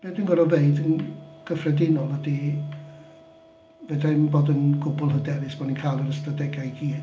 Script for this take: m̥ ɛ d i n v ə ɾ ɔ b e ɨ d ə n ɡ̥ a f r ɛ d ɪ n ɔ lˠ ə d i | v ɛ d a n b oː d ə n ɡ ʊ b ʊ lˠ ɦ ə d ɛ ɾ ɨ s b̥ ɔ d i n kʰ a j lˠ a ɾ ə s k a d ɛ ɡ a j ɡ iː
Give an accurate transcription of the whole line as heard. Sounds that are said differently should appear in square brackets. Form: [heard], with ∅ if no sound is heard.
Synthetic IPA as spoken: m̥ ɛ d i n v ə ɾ ɔ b e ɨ d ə n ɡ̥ [ə] f r ɛ d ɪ n ɔ lˠ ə d i | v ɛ d a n b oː d ə n ɡ ʊ b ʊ lˠ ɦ ə d ɛ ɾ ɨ s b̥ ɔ [n] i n kʰ a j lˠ [ə] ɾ ə s [t] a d ɛ ɡ a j ɡ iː